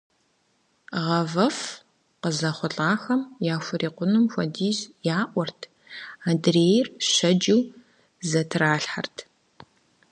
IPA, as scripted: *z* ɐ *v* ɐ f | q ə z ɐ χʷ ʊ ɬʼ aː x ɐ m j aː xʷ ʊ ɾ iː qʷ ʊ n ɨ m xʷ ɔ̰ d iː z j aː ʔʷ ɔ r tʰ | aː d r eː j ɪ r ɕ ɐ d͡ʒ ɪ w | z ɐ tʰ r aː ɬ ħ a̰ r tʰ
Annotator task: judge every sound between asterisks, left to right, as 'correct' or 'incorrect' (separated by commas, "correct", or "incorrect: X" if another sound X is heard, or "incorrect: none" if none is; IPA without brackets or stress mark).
incorrect: ʁ, correct